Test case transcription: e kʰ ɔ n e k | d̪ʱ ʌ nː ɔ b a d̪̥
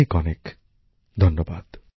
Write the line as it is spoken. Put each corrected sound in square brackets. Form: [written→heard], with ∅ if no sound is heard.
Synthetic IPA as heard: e [kʰ→k] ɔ n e k | d̪ʱ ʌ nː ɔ b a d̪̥